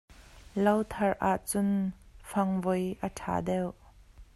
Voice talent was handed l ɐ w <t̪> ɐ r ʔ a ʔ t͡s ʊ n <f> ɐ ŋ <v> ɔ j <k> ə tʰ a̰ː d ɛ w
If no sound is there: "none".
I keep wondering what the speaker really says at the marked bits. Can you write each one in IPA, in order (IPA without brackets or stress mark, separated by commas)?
t̪ʰ, f, v, ʔ